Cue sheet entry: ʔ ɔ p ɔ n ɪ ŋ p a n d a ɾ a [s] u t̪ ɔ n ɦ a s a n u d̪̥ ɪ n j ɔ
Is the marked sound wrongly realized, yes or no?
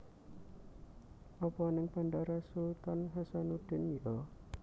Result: no